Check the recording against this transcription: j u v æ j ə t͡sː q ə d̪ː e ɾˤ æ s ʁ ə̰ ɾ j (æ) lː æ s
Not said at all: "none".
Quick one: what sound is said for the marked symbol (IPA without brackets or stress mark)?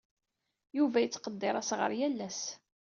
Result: æ